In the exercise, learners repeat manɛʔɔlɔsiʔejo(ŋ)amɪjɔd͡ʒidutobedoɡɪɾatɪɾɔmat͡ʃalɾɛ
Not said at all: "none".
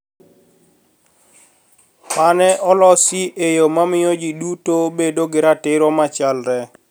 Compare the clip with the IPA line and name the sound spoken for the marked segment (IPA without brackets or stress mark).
m